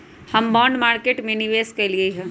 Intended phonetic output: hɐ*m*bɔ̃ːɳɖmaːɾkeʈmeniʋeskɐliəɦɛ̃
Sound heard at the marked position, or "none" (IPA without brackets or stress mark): m